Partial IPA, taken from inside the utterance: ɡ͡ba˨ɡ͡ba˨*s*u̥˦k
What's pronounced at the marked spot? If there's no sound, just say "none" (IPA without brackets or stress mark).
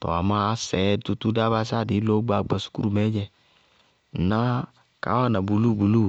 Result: s